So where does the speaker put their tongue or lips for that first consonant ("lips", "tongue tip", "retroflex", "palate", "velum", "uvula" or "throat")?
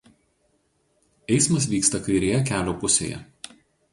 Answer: tongue tip